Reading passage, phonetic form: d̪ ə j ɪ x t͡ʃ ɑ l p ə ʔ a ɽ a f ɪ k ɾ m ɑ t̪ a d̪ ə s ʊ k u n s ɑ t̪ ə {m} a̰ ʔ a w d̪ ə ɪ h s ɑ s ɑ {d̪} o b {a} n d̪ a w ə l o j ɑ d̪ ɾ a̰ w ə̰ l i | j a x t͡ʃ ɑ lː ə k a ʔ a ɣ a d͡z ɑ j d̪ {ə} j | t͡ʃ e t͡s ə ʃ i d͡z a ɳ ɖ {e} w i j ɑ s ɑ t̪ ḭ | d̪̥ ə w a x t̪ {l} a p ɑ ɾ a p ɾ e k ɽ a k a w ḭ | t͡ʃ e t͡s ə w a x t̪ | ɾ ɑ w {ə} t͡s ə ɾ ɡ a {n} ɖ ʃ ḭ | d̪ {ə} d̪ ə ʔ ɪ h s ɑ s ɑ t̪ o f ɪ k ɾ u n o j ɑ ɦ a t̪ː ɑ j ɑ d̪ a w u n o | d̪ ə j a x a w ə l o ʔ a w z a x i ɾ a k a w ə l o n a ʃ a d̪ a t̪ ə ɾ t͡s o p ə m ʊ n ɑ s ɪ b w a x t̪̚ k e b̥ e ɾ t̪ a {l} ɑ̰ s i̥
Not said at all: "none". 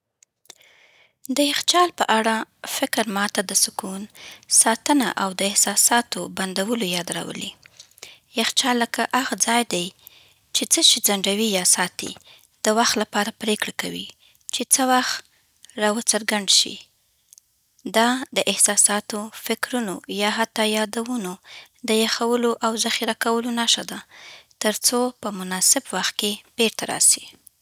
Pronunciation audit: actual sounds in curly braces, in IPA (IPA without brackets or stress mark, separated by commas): n, t̪, a, a, a, l, ə, ɳ, ɑ, ɾ